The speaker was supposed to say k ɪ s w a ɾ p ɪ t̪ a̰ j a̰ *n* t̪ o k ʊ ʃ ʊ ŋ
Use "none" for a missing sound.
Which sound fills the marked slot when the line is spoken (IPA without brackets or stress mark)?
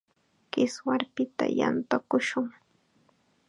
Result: n